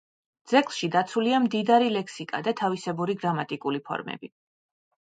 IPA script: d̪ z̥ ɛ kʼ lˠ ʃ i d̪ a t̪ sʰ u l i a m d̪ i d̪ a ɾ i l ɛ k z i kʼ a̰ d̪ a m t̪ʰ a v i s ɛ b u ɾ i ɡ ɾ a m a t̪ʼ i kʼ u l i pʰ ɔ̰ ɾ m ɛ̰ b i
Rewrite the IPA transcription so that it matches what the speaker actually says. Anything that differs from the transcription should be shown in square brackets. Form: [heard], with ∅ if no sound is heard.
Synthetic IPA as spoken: d̪ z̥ ɛ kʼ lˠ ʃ i d̪ a t̪ sʰ u l i a m d̪ i d̪ a ɾ i l ɛ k [s] i kʼ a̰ d̪ a [∅] t̪ʰ a v i s ɛ b u ɾ i ɡ ɾ a m a t̪ʼ i kʼ u l i pʰ ɔ̰ ɾ m ɛ̰ b i